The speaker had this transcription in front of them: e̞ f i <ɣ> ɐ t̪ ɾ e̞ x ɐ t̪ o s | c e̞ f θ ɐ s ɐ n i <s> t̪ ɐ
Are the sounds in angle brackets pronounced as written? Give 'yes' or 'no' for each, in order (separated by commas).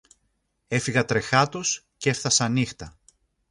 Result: yes, no